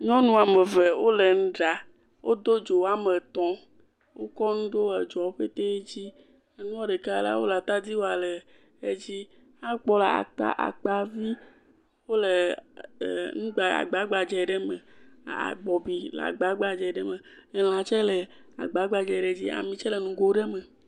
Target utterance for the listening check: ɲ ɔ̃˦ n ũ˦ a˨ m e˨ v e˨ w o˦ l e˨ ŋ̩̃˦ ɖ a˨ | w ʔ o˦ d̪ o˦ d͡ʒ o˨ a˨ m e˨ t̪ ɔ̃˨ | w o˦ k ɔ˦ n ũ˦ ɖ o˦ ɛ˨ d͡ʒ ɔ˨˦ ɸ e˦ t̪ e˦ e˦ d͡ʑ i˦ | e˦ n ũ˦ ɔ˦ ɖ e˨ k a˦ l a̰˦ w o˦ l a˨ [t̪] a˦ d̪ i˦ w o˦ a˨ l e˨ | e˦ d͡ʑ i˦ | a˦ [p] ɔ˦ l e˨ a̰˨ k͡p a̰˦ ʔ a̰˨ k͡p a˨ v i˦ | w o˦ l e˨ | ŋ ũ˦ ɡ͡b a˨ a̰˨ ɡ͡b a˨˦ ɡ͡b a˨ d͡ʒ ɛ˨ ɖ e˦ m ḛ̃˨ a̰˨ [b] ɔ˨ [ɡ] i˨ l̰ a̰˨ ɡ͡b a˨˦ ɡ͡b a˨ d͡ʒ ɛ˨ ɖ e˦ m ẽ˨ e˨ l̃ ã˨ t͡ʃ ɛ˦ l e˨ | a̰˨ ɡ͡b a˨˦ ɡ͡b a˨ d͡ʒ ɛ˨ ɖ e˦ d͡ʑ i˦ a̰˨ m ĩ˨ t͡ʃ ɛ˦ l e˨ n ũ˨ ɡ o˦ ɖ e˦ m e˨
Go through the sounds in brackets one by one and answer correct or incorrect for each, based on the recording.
correct, incorrect, incorrect, incorrect

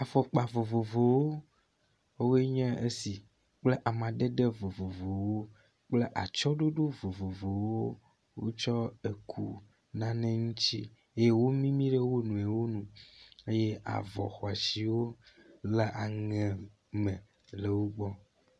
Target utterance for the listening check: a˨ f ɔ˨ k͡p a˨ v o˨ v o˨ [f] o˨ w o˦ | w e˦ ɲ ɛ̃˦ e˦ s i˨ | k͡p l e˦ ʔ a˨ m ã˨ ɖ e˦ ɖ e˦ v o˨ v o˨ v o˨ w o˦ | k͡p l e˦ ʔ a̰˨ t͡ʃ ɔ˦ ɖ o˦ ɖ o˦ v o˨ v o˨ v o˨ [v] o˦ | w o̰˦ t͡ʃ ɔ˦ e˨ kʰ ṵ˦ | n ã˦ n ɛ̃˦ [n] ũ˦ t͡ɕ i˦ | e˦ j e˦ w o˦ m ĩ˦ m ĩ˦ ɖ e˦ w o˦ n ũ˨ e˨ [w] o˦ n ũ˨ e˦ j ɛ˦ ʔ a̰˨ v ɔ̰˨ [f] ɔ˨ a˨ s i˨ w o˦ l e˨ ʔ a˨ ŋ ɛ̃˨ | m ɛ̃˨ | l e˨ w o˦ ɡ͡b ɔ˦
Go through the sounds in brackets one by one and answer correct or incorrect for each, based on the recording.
incorrect, incorrect, incorrect, correct, incorrect

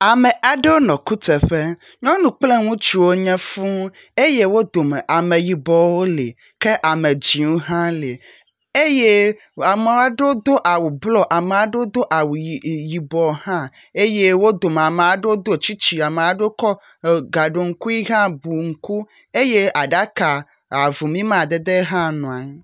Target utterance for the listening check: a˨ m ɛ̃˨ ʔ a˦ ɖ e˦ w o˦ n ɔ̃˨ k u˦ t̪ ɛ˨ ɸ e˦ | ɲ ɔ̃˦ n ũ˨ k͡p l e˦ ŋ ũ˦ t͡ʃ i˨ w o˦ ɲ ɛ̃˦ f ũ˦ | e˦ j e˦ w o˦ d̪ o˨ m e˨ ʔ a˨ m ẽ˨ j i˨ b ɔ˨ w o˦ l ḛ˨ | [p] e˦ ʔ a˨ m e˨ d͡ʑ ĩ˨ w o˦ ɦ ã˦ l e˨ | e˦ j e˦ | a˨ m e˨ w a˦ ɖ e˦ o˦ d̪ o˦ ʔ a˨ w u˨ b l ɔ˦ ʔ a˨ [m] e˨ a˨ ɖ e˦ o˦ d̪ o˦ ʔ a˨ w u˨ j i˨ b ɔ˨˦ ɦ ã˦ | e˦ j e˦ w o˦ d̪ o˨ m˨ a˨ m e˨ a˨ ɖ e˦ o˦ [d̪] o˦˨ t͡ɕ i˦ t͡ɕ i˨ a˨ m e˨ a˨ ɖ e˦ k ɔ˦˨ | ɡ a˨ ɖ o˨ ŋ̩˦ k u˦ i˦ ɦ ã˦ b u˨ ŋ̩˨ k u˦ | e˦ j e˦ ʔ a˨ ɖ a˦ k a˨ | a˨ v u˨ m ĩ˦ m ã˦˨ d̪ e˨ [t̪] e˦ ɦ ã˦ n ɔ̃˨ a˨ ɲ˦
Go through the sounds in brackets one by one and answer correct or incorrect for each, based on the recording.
incorrect, correct, correct, incorrect

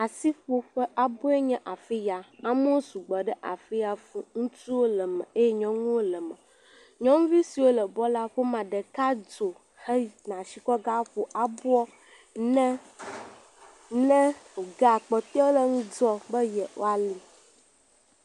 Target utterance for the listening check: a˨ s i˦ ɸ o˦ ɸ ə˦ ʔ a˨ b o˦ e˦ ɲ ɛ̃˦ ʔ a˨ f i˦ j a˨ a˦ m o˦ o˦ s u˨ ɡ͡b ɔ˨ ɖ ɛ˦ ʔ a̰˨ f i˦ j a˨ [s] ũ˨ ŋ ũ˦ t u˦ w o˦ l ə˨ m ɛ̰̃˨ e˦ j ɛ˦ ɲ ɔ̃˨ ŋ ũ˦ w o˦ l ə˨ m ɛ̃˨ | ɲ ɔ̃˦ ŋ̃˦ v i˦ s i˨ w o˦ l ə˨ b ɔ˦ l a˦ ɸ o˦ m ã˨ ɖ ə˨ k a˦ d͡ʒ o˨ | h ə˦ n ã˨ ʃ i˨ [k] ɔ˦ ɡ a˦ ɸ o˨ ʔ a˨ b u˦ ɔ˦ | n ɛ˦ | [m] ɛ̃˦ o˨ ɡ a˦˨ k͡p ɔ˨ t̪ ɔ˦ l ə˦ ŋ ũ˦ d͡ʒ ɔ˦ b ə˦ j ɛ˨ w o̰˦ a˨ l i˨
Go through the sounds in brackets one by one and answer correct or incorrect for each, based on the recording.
incorrect, correct, incorrect

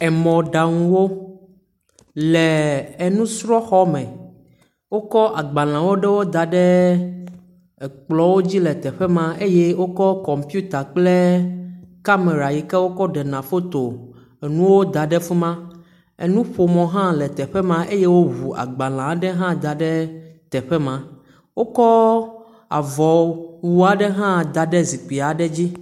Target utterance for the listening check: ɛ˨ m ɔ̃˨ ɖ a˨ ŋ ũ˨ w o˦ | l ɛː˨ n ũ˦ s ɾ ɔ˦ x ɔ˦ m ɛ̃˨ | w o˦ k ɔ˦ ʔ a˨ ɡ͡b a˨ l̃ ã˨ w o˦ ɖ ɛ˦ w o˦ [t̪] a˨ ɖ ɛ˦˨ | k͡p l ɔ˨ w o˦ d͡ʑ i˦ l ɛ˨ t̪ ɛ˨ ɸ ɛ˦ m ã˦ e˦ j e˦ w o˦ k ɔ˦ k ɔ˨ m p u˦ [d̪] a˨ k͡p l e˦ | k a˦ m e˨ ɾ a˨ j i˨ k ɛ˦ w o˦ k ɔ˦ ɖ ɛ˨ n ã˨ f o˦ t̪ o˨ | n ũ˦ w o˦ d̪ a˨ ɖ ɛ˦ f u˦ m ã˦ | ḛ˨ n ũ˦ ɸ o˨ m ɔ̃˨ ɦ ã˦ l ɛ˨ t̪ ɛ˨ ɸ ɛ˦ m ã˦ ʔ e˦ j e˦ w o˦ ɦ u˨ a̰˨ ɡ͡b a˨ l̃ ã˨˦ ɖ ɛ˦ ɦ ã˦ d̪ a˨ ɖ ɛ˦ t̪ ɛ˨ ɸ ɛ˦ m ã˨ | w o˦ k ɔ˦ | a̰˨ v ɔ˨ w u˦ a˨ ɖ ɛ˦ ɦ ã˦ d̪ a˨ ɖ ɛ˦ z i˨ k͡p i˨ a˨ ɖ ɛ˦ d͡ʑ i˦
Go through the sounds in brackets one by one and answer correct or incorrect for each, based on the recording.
incorrect, incorrect

